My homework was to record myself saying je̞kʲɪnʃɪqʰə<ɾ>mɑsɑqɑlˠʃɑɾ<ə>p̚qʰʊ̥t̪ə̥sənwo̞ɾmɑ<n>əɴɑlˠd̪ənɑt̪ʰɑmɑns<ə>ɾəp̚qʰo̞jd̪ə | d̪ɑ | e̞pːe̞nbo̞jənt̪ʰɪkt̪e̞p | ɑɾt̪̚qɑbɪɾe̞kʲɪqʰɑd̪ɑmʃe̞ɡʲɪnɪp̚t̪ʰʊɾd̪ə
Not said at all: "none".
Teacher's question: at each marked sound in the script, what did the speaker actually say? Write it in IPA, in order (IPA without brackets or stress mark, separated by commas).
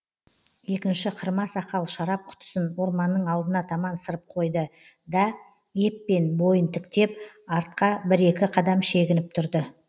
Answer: ɾ, ɑ, nː, ə